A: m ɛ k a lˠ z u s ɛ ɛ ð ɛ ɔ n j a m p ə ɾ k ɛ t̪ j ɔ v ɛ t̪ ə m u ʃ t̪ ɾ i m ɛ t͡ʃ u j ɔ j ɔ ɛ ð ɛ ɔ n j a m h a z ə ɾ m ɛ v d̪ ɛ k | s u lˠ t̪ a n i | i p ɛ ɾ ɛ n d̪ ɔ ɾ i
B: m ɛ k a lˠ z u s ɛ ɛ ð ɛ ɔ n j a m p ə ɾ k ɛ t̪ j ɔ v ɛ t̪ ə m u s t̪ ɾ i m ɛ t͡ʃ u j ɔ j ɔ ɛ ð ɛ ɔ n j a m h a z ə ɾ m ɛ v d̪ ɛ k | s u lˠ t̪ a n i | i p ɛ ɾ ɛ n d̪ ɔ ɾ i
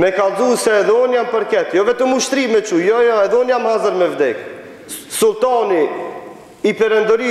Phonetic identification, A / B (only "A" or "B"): A